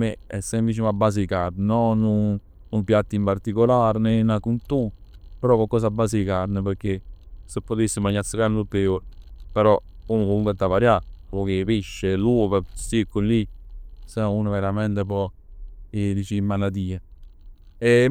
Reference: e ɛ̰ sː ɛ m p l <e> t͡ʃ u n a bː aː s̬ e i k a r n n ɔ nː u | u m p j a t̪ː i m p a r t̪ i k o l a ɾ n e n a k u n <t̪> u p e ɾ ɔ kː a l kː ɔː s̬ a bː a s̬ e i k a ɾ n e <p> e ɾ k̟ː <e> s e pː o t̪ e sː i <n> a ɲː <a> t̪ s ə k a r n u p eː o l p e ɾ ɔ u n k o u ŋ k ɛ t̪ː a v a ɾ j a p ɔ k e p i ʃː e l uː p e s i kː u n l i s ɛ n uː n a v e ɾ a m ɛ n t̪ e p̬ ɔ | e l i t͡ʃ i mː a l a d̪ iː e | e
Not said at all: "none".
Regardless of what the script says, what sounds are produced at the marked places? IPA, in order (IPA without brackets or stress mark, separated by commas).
i, t̪, p, e, m, a